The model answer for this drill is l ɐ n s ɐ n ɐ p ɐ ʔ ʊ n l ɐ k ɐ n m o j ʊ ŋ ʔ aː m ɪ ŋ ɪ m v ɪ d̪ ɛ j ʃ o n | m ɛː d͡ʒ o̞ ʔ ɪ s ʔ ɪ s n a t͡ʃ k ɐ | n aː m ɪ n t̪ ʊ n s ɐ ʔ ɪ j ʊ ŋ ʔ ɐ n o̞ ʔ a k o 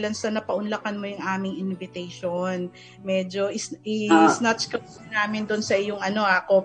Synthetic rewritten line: l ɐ n s ɐ n ɐ p ɐ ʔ ʊ n l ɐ k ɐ n m o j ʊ ŋ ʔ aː m ɪ ŋ ɪ n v ɪ t̪ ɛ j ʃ o n | m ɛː d͡ʒ o̞ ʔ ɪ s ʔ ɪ s n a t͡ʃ k ɐ | n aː m ɪ n d̪ ʊ n s ɐ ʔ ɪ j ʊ ŋ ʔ ɐ n o̞ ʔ a k o